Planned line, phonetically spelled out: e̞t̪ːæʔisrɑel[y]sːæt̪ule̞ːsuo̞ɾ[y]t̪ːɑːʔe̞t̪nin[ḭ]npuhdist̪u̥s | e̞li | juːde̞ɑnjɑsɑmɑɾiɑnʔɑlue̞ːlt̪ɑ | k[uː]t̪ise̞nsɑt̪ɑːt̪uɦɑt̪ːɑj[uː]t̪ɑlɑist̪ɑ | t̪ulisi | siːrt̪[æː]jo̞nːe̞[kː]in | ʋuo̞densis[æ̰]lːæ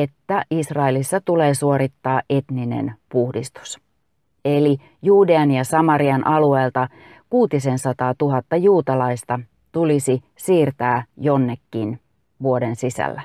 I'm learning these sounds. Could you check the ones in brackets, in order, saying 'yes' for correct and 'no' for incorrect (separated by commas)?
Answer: no, no, no, yes, yes, yes, yes, yes